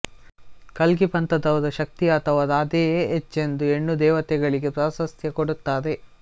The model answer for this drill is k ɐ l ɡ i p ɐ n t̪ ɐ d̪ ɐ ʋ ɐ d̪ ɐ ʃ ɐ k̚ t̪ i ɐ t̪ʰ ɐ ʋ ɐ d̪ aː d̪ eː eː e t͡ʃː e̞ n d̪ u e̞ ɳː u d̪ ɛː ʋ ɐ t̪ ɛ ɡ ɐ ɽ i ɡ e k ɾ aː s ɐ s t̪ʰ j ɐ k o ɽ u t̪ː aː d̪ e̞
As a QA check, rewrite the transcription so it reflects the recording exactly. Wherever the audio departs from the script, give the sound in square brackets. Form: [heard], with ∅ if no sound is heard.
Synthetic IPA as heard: k ɐ l ɡ i p ɐ n t̪ ɐ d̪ ɐ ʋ ɐ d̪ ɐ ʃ ɐ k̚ t̪ i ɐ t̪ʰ ɐ ʋ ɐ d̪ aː d̪ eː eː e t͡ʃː e̞ n d̪ u e̞ ɳː u d̪ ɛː ʋ ɐ t̪ ɛ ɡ ɐ [ɭ] i ɡ e [p] ɾ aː s ɐ s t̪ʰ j ɐ k o ɽ u t̪ː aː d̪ e̞